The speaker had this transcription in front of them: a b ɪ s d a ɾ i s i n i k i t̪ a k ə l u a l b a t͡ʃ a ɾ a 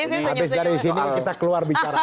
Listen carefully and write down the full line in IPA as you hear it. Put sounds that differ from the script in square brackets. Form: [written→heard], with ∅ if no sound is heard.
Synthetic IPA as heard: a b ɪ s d a ɾ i s i n i k i t̪ a k ə l u a [l→r] b [a→i] t͡ʃ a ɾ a